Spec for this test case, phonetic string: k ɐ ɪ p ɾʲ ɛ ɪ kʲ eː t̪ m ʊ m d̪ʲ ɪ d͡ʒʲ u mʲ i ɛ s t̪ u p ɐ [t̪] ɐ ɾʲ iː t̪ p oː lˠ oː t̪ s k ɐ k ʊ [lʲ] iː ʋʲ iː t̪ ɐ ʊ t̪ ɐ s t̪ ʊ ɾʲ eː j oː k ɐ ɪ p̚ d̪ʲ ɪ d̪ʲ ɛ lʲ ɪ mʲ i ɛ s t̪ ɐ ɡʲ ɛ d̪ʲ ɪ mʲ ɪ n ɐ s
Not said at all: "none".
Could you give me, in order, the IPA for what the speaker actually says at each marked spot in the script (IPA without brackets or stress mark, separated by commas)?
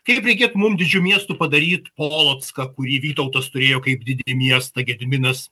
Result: d̪, ɾʲ